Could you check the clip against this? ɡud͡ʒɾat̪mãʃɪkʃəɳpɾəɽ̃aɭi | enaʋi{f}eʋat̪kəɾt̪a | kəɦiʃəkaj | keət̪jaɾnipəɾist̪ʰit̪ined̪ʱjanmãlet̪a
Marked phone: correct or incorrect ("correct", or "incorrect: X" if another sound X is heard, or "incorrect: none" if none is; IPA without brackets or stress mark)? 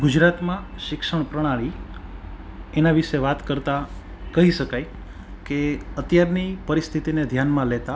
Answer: incorrect: ʃ